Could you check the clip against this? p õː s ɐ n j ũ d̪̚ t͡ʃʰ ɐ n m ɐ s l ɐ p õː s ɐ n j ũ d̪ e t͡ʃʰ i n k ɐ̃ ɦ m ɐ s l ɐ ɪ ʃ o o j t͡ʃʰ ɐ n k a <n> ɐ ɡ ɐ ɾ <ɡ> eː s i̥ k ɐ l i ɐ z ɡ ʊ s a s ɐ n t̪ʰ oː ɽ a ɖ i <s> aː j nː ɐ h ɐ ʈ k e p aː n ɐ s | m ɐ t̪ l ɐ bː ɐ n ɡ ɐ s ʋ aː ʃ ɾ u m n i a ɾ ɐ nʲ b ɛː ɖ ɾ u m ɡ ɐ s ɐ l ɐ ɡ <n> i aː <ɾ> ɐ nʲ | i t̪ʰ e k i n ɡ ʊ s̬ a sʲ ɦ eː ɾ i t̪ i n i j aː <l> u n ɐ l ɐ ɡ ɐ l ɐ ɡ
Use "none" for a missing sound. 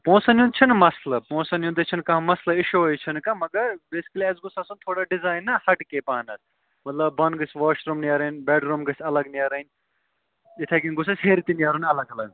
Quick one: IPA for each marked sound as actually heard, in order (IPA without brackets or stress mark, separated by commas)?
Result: m, b, z, n, ɾ, ɾ